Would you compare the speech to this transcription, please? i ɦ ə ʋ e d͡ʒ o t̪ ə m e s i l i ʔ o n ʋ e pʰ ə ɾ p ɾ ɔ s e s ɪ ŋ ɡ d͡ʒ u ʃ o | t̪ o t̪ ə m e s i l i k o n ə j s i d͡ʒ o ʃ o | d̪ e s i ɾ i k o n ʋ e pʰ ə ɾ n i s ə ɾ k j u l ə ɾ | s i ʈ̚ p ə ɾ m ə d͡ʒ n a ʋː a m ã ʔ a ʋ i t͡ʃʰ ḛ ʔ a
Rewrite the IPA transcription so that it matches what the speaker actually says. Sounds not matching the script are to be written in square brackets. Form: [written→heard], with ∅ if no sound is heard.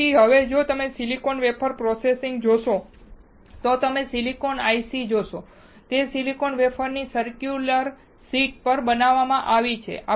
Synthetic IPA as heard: i ɦ ə ʋ e d͡ʒ o t̪ ə m e s i l i [ʔ→k] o n ʋ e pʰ ə ɾ p ɾ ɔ s e s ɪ ŋ ɡ d͡ʒ [u→o] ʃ o | t̪ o t̪ ə m e s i l i k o n [ə→a] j s i d͡ʒ o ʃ o | [d̪→t̪] e s i [ɾ→l] i k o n ʋ e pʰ ə ɾ n i s ə ɾ k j u l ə ɾ | s i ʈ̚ p ə ɾ [m→b] ə [d͡ʒ→∅] n a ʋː a m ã ʔ a ʋ i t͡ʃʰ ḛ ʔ a